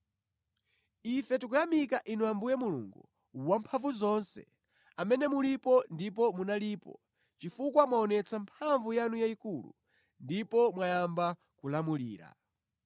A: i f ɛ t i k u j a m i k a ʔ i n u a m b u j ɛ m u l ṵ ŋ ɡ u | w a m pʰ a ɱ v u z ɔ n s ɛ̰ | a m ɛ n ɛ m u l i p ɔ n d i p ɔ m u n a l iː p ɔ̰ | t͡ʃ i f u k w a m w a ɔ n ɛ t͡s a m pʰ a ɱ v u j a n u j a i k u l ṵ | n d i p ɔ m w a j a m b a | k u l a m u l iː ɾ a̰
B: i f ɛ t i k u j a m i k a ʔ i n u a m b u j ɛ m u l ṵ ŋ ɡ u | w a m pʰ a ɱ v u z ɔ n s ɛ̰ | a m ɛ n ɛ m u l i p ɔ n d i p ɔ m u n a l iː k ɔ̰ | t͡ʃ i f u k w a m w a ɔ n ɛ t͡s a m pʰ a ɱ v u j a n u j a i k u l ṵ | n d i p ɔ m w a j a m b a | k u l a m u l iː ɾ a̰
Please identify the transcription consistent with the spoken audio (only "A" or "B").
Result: A